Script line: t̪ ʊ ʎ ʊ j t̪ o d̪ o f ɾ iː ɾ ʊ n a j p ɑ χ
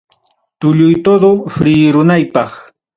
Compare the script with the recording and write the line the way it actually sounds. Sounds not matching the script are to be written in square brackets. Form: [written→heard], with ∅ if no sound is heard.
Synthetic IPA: t̪ ʊ ʎ ʊ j t̪ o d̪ o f ɾ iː ɾ ʊ n a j p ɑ χ